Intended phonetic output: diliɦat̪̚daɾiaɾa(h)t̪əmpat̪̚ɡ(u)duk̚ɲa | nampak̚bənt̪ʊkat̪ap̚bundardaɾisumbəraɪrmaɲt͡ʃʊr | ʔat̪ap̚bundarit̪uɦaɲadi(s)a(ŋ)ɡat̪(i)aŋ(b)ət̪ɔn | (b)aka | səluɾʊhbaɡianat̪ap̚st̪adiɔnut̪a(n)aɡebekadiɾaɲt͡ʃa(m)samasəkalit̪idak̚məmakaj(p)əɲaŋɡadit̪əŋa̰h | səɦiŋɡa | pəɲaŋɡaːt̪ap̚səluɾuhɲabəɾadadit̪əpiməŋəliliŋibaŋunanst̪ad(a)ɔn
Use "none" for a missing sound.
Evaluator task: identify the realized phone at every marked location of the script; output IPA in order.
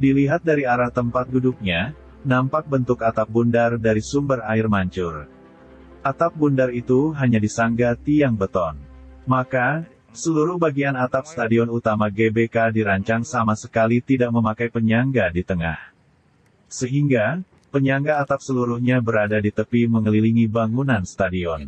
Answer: h, u, s, ŋ, i, b, m, m, ŋ, p, i

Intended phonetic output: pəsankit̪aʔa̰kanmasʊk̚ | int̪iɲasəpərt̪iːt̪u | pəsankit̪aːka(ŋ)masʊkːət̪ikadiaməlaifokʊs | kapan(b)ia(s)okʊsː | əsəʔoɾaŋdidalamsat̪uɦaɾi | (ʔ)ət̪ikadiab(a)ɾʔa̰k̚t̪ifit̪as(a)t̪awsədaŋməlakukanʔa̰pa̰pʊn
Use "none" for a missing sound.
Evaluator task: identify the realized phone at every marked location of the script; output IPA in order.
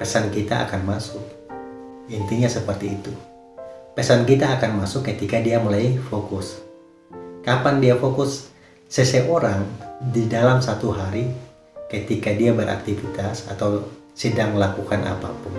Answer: n, d, f, k, ə, a

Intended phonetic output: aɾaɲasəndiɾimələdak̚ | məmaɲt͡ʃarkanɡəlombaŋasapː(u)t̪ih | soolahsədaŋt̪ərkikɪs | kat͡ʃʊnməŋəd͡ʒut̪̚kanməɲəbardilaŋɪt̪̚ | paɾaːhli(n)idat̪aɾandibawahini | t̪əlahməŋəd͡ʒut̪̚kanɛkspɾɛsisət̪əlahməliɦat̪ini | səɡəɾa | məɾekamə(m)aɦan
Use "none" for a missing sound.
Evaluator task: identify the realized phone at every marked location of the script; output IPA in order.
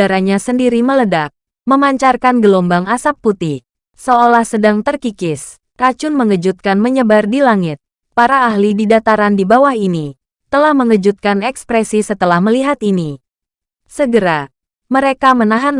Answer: u, d, n

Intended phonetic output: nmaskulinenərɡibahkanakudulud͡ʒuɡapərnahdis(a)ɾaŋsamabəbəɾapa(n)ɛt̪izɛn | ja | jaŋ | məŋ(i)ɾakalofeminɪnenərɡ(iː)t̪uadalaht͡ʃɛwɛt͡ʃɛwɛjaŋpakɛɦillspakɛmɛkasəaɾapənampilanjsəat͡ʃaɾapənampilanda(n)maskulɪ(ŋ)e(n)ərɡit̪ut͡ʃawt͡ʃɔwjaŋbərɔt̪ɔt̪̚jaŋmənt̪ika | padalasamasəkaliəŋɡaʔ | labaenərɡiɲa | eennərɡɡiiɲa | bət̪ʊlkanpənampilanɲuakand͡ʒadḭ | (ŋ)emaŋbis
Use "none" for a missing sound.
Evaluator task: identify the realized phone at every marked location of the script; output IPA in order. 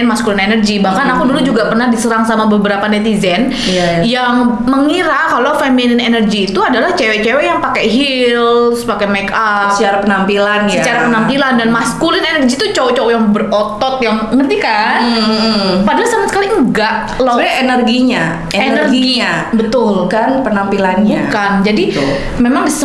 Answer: ə, n, i, iː, n, n, n, m

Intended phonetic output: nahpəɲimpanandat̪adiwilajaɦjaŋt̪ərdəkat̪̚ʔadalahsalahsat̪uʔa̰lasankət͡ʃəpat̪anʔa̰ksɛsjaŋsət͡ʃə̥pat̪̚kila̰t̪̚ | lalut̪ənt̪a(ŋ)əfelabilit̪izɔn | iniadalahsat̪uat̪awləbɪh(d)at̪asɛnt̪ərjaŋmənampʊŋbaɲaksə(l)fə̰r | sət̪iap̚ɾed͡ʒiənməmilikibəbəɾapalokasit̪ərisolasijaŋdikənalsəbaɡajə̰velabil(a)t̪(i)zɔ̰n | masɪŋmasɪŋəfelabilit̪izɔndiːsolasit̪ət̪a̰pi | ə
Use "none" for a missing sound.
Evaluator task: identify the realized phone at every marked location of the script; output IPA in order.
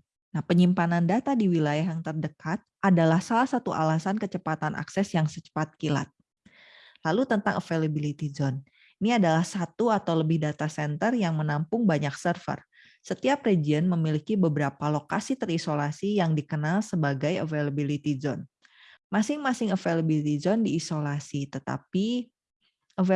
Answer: ŋ, d, r, i, i

